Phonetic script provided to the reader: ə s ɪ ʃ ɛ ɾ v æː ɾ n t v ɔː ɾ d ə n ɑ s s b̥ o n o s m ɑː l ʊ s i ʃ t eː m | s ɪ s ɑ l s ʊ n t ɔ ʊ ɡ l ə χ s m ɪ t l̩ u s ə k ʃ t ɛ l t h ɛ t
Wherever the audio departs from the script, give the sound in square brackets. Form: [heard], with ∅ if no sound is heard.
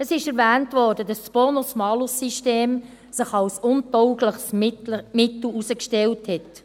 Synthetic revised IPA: ə s ɪ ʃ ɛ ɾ v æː [∅] n t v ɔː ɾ d ə [d] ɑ s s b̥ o n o s m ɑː l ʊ s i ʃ t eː m | s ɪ [χ] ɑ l s ʊ n t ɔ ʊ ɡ l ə χ s m ɪ t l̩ u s ə k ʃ t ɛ l t h ɛ t